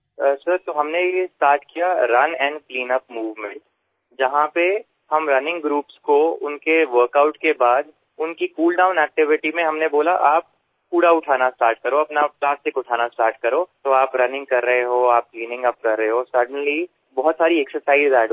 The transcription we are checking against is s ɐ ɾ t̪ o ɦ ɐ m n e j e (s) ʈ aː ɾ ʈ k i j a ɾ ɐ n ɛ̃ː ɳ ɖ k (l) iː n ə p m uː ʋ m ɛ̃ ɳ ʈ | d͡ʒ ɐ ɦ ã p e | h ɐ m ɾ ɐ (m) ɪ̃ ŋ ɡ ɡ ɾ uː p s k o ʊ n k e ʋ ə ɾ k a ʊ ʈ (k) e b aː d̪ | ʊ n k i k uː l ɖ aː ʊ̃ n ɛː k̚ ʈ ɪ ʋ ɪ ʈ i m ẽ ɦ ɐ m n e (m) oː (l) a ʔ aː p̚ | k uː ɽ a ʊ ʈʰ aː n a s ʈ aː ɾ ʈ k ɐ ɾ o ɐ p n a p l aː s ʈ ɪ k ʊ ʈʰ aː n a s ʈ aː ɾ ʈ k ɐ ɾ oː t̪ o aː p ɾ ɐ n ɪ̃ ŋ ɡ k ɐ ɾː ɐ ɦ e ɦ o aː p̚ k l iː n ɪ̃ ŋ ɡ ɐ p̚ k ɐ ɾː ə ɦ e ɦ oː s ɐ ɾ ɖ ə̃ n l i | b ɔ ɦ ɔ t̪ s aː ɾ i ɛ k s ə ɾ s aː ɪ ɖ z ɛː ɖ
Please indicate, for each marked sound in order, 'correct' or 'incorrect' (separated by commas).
correct, correct, incorrect, correct, incorrect, correct